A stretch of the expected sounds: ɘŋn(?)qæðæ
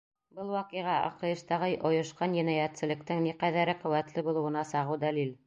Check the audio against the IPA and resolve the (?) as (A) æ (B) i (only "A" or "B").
B